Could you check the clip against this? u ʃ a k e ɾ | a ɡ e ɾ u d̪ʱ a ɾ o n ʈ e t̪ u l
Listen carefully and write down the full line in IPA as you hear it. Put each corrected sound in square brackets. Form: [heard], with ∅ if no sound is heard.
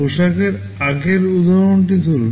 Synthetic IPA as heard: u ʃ a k e ɾ | a ɡ e ɾ u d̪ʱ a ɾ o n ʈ [i] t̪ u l

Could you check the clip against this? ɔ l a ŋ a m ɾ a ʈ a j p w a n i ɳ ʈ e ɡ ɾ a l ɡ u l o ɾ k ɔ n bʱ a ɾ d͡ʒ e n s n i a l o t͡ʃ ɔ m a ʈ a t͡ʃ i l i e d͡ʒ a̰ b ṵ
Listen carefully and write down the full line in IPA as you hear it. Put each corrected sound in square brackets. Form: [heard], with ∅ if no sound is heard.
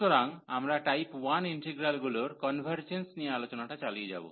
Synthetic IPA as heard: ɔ [ɾ] a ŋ a m ɾ a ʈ a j p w a n i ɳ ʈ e ɡ ɾ a l ɡ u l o ɾ k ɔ n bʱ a ɾ d͡ʒ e n s n i a l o t͡ʃ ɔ [n] a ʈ a t͡ʃ [a] l i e d͡ʒ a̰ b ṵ

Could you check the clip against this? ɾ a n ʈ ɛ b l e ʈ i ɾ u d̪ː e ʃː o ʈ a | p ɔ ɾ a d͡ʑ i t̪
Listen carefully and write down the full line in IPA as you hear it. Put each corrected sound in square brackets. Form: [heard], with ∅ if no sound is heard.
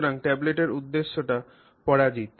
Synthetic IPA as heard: ɾ a [ŋ] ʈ ɛ b l e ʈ [e] ɾ u d̪ː e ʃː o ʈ a | p ɔ [ɽ] a d͡ʑ i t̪

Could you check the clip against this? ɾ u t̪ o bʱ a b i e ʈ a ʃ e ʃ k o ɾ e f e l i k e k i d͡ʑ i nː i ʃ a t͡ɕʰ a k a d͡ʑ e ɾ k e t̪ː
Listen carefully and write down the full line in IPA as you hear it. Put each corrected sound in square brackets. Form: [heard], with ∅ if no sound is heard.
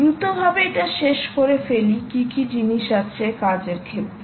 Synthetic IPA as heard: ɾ u t̪ o bʱ a b [e] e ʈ a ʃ e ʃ k o ɾ e f e l i k [i] k i d͡ʑ i [n] i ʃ a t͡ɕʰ [e] k a d͡ʑ e ɾ [kʰ] e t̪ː

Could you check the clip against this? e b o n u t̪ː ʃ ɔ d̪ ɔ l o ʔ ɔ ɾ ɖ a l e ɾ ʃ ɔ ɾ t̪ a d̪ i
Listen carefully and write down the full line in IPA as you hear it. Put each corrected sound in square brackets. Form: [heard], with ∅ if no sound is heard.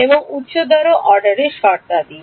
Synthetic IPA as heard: e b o [ŋ] u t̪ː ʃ [o] d̪ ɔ [ɾ] o ʔ ɔ ɾ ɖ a [ɾ] e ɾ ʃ ɔ ɾ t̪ a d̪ i

